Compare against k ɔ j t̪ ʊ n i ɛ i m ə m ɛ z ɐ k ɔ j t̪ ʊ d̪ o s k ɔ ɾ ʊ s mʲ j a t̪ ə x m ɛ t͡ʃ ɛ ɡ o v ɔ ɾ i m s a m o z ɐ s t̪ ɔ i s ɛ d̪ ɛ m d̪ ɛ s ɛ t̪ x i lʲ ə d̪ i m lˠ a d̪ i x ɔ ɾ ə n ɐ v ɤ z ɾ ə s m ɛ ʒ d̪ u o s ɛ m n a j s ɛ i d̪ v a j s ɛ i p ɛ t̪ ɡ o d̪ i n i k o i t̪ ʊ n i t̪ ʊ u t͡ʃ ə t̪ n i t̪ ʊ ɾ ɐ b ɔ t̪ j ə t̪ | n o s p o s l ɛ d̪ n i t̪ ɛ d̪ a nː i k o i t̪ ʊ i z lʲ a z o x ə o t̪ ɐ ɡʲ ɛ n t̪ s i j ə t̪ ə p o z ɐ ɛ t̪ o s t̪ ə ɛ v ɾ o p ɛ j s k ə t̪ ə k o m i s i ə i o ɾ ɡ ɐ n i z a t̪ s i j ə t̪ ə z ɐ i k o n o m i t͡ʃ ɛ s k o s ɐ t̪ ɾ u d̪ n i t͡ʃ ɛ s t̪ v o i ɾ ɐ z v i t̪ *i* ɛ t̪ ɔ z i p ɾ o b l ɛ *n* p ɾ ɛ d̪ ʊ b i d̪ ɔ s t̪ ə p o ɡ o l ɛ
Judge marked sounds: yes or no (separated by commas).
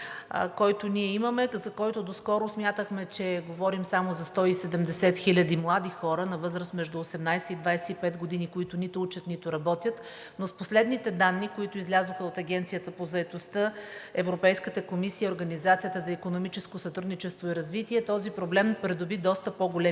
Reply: yes, no